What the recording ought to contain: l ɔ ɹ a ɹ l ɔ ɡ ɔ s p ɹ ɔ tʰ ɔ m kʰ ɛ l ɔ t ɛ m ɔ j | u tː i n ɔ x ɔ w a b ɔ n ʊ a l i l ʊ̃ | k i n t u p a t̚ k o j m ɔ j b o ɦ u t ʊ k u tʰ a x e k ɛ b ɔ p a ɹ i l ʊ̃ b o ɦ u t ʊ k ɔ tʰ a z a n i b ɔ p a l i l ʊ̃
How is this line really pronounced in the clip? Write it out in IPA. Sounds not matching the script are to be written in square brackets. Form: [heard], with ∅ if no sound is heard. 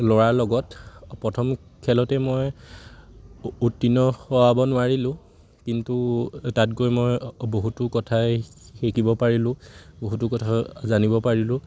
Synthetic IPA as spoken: l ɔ ɹ a ɹ l ɔ ɡ ɔ [t] p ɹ ɔ tʰ ɔ m kʰ ɛ l ɔ t ɛ m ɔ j | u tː i n ɔ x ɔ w a b ɔ n ʊ a [ɹ] i l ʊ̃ | k i n t u [t] a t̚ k o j m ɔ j b o ɦ u t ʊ k [ɔ] tʰ a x e k [i] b ɔ p a ɹ i l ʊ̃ b o ɦ u t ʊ k ɔ tʰ a z a n i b ɔ p a [ɹ] i l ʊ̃